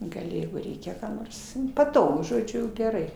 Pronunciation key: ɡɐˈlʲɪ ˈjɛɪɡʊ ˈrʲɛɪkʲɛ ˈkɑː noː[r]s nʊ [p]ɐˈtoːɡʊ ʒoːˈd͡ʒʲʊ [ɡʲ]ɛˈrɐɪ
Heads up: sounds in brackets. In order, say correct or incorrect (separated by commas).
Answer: correct, correct, correct